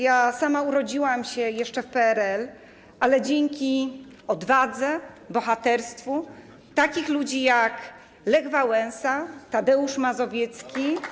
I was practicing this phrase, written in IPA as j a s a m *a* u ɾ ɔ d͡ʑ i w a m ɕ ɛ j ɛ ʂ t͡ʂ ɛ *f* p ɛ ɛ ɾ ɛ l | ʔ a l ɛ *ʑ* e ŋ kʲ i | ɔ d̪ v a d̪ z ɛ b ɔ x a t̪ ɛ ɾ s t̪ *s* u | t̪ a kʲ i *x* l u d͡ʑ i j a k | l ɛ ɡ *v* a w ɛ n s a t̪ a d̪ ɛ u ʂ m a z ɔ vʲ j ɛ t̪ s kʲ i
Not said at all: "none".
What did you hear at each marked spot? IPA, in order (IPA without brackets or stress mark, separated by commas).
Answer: a, f, d͡ʑ, f, x, v